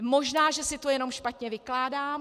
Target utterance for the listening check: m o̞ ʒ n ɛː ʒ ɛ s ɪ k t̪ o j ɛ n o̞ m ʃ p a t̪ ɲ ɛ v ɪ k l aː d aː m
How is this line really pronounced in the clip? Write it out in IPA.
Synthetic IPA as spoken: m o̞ ʒ n aː ʒ ɛ s ɪ t̪ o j ɛ n o̞ m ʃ p a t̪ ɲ ɛ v ɪ k l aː d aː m